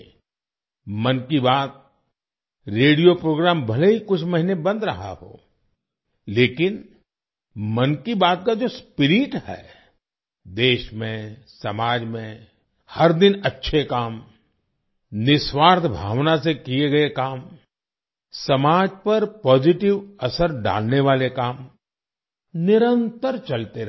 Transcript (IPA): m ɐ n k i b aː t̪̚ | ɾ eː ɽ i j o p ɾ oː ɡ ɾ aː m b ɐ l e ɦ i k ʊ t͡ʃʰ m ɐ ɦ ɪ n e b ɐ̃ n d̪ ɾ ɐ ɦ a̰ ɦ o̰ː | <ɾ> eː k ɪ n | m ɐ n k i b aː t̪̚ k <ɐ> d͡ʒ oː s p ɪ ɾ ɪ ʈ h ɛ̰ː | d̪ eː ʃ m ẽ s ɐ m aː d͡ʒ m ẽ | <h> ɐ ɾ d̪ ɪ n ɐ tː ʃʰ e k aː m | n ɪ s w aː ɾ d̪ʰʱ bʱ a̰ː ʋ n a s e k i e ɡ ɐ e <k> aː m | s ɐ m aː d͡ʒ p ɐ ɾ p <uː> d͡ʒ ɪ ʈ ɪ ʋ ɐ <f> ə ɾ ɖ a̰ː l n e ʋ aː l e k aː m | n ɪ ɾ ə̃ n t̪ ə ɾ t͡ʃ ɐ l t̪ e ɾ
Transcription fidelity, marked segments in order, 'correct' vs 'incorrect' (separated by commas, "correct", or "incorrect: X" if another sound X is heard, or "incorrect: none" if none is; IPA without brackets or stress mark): incorrect: l, incorrect: a, correct, correct, incorrect: ɔː, incorrect: s